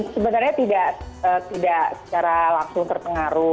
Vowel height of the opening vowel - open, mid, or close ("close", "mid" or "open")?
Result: mid